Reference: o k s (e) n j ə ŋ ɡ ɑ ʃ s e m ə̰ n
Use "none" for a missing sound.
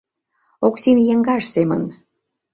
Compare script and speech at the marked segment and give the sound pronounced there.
i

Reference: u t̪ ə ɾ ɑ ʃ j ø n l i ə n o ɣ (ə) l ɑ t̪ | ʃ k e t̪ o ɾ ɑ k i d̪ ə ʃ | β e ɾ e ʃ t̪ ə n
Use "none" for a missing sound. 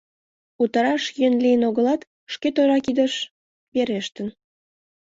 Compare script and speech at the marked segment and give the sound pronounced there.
ə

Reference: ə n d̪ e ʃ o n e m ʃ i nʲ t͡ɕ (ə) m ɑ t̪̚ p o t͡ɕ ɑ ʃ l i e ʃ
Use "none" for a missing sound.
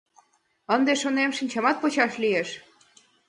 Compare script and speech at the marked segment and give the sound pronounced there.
ɑ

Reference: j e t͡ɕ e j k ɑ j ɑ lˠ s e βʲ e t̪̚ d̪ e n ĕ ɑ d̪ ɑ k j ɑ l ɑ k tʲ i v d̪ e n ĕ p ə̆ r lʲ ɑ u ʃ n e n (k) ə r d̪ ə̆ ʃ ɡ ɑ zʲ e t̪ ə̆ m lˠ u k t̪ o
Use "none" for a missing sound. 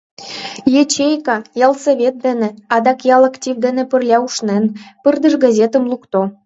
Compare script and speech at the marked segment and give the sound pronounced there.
p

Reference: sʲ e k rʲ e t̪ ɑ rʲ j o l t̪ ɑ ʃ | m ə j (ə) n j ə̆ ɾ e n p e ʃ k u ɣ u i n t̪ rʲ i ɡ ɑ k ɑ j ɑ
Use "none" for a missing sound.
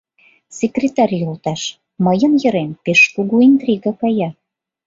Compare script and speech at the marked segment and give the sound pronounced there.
ə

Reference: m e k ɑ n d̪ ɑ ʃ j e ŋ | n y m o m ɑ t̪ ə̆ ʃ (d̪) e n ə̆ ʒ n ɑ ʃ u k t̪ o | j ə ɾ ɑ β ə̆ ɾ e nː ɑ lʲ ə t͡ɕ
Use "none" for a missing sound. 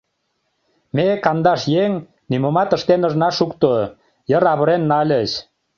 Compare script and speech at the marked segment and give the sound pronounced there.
t̪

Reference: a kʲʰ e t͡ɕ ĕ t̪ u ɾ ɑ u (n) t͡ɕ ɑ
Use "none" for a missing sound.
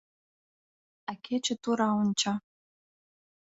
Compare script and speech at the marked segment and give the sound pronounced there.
n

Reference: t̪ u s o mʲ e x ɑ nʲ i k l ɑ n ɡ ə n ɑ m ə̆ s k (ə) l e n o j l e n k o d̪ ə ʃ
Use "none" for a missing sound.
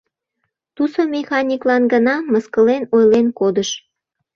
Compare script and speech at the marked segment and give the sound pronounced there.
ə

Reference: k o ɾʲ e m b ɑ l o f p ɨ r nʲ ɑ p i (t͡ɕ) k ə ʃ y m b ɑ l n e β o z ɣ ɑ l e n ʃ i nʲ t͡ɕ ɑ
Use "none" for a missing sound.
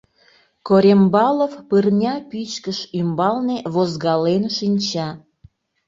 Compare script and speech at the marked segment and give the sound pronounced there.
t͡ɕ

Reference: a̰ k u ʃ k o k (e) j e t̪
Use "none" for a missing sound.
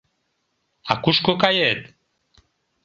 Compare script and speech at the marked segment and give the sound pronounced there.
a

